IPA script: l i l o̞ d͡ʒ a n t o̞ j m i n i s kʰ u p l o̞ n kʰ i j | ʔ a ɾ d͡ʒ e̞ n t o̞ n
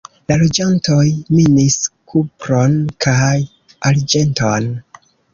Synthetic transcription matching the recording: l a l o̞ d͡ʒ a n t o̞ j m i n i s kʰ u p ɾ o̞ n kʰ a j | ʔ a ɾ d͡ʒ e̞ n t o̞ n